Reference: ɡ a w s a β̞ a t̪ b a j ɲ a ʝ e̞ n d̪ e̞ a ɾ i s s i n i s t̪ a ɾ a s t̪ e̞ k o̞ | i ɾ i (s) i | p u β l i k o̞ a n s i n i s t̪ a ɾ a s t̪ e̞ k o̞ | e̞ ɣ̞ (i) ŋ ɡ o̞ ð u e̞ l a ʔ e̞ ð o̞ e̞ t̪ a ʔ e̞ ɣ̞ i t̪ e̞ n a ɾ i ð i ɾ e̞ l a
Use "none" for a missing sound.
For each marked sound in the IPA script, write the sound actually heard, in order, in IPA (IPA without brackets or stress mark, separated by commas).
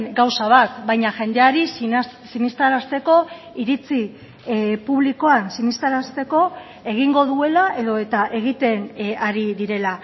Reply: t͡s, i